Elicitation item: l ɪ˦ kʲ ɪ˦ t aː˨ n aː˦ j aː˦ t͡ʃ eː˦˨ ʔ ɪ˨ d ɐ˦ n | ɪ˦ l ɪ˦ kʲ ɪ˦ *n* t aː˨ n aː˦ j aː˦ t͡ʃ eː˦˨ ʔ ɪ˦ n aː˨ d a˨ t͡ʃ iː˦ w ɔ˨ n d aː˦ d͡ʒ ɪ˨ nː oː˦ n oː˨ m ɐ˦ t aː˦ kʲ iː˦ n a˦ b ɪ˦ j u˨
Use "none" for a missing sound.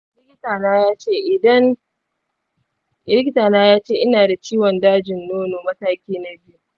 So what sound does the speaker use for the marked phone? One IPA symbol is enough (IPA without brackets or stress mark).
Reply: none